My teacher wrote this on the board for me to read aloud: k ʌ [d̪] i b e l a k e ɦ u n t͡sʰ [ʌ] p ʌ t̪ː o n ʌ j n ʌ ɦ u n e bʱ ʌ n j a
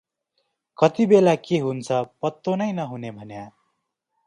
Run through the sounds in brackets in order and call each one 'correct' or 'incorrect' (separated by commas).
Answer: incorrect, correct